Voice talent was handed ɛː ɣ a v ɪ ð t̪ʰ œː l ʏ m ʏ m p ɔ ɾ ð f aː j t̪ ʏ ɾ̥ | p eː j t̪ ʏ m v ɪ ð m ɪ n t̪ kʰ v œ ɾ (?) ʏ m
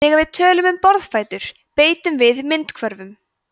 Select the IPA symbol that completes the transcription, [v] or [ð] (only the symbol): v